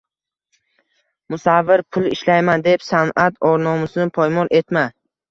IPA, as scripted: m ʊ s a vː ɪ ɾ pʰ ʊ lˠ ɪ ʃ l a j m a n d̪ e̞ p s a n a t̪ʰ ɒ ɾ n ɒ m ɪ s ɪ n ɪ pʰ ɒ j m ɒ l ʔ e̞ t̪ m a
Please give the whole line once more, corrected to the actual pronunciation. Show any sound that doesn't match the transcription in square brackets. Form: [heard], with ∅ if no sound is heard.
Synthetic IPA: m ʊ s a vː ɪ ɾ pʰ ʊ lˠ ɪ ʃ l a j m a n d̪ e̞ p s a n a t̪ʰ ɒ ɾ n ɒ m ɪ s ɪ n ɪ pʰ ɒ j m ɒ l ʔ e̞ t̪ m a